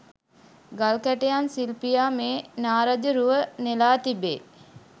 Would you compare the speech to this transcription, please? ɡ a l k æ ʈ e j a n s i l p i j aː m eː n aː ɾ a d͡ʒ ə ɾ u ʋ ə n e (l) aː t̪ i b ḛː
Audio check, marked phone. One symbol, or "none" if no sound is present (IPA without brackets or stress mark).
l